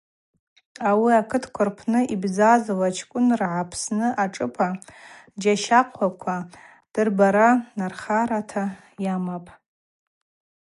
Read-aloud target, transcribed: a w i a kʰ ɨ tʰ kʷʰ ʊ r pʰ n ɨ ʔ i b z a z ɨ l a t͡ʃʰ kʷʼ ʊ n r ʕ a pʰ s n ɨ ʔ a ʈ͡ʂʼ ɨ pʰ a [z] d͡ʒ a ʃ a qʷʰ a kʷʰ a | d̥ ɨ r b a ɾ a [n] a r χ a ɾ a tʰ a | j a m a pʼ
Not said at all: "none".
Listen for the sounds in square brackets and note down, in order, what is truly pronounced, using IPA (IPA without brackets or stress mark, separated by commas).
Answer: none, n